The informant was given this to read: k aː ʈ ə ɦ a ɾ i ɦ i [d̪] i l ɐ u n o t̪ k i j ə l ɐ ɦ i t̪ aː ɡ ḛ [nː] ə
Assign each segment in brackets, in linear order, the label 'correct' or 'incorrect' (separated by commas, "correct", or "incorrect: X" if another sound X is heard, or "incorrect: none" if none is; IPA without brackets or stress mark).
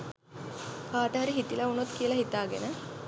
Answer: incorrect: t̪, incorrect: n